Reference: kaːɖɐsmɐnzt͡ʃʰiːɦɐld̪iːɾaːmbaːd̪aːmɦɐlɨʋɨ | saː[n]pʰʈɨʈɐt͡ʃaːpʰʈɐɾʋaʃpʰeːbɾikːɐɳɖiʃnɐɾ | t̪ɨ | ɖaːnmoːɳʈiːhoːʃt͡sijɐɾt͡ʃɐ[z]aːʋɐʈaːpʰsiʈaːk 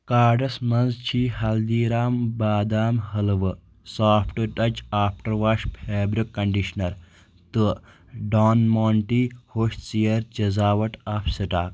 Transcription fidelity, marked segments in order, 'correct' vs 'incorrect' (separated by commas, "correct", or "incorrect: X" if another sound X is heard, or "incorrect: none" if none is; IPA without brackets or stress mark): incorrect: none, correct